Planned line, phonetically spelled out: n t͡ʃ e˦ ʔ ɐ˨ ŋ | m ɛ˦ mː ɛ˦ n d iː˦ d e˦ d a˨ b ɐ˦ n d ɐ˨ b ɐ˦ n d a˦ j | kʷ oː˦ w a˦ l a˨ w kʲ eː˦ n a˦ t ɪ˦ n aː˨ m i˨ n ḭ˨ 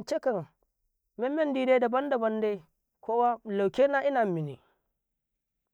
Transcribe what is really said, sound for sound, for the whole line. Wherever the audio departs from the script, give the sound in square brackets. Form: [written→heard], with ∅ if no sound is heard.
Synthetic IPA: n t͡ʃ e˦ [ʔ→k] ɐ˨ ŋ | m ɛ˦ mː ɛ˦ n d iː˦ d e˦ d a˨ b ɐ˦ n d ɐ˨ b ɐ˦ n d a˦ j | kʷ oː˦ w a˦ l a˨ w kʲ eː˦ n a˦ [t→ʔ] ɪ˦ n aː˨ m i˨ n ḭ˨

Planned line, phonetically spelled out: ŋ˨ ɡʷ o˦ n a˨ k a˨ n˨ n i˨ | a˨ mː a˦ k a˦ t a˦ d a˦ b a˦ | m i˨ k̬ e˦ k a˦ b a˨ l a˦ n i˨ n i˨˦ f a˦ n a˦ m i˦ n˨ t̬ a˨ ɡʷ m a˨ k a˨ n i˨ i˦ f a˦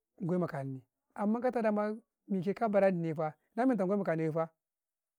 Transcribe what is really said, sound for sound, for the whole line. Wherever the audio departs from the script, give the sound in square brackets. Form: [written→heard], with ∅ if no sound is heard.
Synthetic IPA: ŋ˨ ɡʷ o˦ [n→m] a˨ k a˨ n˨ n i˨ | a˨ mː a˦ k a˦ t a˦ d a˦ [b→m] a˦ | m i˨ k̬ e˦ k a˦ b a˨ [l→ɾ] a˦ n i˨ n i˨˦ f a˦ n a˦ m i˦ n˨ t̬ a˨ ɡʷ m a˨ k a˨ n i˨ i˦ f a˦

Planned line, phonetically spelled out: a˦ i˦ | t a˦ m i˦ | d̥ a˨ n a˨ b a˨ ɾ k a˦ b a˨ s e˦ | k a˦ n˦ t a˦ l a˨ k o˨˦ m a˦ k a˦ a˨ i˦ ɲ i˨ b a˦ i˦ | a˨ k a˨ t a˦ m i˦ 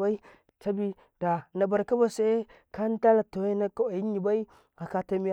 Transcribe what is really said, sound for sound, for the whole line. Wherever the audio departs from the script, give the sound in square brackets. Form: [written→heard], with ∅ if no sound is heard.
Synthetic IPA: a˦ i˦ | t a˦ [m→b] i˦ | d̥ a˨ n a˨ b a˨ ɾ k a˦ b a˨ s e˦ | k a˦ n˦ t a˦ l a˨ [k→t] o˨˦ [m→n] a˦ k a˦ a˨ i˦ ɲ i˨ b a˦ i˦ | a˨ k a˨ t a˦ m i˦

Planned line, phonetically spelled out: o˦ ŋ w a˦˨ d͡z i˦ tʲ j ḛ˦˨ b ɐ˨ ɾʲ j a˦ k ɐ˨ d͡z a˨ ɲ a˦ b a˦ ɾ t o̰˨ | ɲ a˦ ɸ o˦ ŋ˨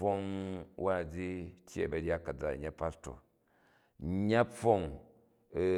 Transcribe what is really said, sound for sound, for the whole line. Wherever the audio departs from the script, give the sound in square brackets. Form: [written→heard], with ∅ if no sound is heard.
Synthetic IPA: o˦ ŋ w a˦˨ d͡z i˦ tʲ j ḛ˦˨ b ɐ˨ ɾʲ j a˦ k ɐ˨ d͡z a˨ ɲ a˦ [b→p] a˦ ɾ t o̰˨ | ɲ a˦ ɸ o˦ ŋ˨

